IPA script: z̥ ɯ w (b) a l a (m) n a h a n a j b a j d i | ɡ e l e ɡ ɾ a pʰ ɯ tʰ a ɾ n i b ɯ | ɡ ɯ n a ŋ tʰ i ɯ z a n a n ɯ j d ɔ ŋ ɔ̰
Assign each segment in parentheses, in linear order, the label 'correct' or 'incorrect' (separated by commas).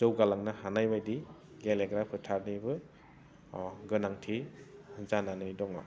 incorrect, incorrect